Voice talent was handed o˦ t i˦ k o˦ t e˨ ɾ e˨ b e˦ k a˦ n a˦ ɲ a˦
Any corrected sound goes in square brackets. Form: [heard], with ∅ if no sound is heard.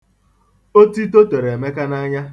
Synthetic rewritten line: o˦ t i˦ [t] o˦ t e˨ ɾ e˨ [m] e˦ k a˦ n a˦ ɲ a˦